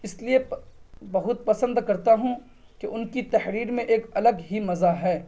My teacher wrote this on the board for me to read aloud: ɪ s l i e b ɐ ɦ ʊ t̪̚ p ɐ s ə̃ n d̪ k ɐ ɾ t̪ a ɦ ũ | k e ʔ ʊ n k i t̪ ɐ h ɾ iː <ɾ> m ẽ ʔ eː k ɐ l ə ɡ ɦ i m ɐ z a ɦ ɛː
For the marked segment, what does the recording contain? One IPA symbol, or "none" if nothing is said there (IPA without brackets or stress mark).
ɾ